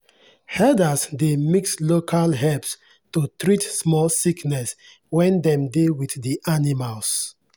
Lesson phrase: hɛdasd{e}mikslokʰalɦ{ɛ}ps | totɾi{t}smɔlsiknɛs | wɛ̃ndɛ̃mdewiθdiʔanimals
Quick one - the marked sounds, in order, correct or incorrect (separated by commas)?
correct, correct, correct